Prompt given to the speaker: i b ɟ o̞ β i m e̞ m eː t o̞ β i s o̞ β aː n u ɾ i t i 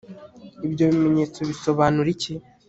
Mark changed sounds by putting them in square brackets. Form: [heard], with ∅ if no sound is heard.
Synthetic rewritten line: i b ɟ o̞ β i m e̞ [ɲ] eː [t͡s] o̞ β i s o̞ β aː n u ɾ i [c] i